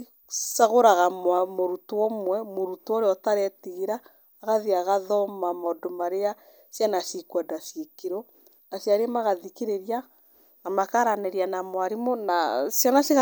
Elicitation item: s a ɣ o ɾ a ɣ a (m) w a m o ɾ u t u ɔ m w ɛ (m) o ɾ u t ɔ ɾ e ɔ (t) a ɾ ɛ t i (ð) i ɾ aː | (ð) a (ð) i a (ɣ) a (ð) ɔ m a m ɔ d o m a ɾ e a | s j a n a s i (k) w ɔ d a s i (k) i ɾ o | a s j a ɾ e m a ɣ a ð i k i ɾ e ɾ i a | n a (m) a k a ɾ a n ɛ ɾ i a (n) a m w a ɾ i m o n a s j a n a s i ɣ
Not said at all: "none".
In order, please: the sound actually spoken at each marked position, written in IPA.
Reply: m, m, t, ɣ, ɣ, ð, ɣ, ð, k, k, m, n

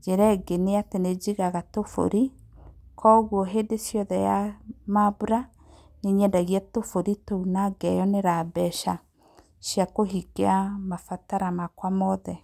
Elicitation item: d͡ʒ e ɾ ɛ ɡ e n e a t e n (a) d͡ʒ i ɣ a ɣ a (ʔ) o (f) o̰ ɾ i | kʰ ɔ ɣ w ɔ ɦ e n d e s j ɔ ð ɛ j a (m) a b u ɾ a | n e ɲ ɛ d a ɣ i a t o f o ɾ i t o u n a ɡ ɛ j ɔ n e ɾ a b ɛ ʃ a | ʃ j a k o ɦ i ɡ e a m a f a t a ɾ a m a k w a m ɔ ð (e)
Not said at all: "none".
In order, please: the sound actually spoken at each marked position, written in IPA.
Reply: e, t, f, m, ɛ

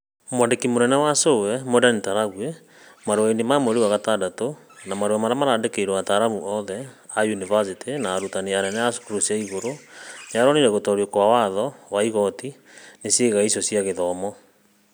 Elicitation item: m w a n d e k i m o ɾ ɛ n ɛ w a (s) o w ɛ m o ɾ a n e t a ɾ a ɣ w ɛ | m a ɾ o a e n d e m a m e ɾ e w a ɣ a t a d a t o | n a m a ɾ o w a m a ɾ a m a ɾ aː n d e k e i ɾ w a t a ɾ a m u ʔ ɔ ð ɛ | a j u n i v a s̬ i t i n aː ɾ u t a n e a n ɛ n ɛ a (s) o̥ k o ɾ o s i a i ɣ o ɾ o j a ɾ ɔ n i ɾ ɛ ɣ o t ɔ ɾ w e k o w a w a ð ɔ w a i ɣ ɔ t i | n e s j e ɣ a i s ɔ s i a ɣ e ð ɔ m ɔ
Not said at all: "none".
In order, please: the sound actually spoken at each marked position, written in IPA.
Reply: s, s

